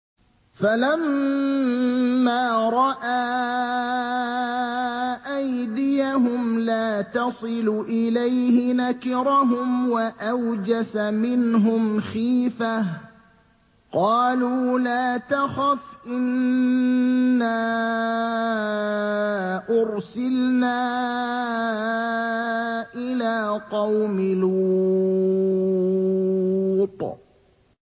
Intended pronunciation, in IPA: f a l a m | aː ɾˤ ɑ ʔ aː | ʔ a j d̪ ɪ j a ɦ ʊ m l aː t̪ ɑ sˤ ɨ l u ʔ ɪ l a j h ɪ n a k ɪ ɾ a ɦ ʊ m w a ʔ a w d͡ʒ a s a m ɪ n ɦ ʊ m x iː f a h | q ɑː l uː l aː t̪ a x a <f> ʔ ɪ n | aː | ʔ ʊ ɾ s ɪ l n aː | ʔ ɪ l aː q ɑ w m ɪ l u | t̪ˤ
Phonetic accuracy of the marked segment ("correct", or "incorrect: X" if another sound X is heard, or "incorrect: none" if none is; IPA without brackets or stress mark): correct